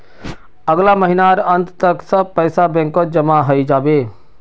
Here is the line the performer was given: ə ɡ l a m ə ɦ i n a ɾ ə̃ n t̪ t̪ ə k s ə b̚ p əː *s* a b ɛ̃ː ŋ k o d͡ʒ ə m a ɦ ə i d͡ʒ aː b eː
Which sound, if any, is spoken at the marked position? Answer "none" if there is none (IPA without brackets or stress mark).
s